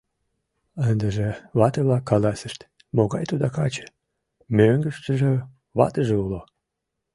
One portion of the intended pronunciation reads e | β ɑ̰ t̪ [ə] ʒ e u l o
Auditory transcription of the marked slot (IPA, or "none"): ə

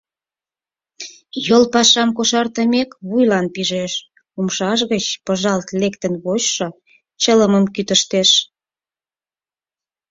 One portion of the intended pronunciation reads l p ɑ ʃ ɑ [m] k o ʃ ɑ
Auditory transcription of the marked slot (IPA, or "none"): m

